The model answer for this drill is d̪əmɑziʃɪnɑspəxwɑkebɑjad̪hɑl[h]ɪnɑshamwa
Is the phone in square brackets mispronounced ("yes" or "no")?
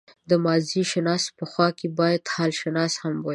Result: yes